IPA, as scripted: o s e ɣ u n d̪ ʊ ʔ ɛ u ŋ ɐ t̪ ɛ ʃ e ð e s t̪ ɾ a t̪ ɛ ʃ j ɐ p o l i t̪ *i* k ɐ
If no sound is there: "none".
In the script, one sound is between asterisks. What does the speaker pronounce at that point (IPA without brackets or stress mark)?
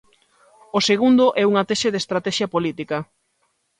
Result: i